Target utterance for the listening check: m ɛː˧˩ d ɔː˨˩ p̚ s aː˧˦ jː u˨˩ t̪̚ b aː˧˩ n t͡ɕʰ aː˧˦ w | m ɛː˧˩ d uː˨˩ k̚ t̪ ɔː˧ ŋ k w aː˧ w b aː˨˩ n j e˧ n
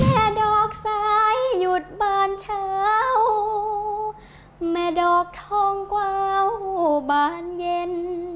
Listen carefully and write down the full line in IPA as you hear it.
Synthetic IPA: m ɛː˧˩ d ɔː˨˩ k̚ s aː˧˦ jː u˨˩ t̪̚ b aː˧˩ n t͡ɕʰ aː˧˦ w | m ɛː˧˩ d ɔː˨˩ k̚ t̪ʰ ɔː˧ ŋ k w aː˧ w b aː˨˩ n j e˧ n